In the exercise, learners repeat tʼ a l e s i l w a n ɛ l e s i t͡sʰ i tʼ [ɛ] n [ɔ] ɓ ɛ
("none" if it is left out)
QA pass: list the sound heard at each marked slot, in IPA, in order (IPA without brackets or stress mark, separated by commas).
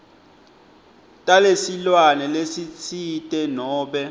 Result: ɛ, ɔː